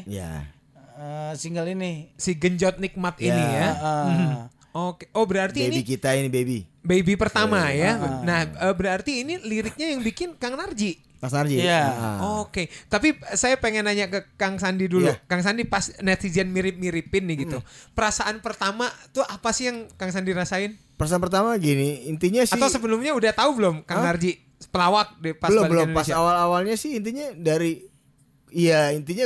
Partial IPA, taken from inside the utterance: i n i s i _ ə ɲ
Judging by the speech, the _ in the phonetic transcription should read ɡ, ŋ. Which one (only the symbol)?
ɡ